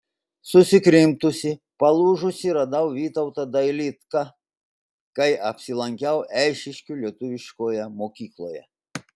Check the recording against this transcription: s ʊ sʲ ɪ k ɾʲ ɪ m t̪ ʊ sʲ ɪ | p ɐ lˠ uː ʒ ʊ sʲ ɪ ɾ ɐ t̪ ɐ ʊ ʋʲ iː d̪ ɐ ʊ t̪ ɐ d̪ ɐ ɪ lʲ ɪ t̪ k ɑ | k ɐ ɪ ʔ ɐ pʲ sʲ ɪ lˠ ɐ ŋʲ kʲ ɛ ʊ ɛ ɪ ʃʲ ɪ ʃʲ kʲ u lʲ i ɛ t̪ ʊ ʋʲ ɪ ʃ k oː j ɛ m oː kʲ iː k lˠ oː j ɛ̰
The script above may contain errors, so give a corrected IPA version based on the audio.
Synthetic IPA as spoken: s ʊ sʲ ɪ k ɾʲ ɪ m t̪ ʊ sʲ ɪ | p ɐ lˠ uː ʒ ʊ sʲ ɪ ɾ ɐ d̪ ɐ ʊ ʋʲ iː t̪ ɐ ʊ t̪ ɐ d̪ ɐ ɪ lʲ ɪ t̪ k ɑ | k ɐ ɪ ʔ ɐ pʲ sʲ ɪ lˠ ɐ ŋʲ kʲ ɛ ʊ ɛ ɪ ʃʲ ɪ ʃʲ kʲ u lʲ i ɛ t̪ ʊ ʋʲ ɪ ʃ k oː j ɛ m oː kʲ iː k lˠ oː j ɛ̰